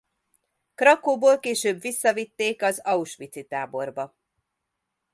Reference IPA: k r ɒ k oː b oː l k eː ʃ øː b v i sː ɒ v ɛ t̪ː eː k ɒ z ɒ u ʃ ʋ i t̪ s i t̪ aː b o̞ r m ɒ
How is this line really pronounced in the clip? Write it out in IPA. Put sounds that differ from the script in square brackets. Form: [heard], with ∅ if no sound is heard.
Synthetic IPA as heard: k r ɒ k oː b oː l k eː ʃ øː b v i sː ɒ v [i] t̪ː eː k ɒ z ɒ u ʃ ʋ i t̪ s i t̪ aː b o̞ r [b] ɒ

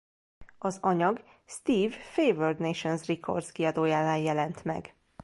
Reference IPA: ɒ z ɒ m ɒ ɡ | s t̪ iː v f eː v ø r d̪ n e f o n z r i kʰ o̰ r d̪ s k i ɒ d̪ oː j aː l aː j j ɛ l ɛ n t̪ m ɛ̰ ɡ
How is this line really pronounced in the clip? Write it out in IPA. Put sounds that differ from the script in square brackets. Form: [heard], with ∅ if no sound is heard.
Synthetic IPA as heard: ɒ z ɒ [ɲ] ɒ ɡ | s t̪ iː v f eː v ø r d̪ n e [ʃ] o n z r i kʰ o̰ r d̪ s k i ɒ d̪ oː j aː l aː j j ɛ l ɛ n t̪ m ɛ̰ ɡ

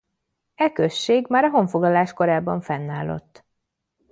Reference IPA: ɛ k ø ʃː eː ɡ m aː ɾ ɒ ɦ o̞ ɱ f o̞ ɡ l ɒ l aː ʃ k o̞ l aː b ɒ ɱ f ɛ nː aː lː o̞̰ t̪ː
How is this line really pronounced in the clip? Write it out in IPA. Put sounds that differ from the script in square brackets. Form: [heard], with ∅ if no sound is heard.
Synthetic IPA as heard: ɛ k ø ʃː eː ɡ m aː ɾ ɒ ɦ o̞ ɱ f o̞ ɡ l ɒ l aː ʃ k o̞ [ɾ] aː b ɒ ɱ f ɛ nː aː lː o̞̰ t̪ː

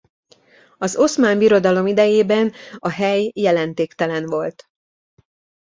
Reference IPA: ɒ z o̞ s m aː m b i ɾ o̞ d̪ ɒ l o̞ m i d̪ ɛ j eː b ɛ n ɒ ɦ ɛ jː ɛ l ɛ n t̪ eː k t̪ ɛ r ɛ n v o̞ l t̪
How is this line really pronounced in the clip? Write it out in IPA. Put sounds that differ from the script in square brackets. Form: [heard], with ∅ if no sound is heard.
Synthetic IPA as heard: ɒ z o̞ s m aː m b i ɾ o̞ d̪ ɒ l o̞ m i d̪ ɛ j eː b ɛ n ɒ ɦ ɛ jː ɛ l ɛ n t̪ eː k t̪ ɛ [l] ɛ n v o̞ l t̪

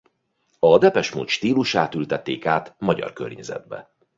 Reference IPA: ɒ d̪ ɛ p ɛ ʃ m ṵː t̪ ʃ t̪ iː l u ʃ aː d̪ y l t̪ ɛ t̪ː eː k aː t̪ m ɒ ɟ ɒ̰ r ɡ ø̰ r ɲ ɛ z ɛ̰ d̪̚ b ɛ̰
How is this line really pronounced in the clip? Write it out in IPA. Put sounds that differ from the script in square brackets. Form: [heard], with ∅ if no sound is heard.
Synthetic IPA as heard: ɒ d̪ ɛ p ɛ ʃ m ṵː t̪ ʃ t̪ iː l u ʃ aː [t̪] y l t̪ ɛ t̪ː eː k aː t̪ m ɒ ɟ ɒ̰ r [k] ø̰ r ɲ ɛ z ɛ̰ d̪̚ b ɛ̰

